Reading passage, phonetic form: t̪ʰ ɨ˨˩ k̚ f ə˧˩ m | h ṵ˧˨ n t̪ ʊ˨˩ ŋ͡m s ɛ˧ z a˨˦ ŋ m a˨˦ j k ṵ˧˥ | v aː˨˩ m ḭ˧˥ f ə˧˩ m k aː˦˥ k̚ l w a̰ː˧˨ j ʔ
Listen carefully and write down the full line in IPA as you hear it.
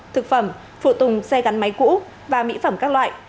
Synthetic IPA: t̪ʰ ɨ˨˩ k̚ f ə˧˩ m | f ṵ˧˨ t̪ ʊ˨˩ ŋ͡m s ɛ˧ ɣ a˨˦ n m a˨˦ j k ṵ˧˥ | v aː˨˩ m ḭ˧˥ f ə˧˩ m k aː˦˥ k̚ l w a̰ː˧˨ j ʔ